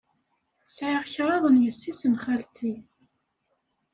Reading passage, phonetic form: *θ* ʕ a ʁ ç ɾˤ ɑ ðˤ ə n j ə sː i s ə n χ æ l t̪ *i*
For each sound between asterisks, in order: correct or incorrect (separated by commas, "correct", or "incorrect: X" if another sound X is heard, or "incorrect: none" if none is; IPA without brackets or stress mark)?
incorrect: s, correct